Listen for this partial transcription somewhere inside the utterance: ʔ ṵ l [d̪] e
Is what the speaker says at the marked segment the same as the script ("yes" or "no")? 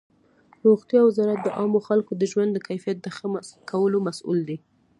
yes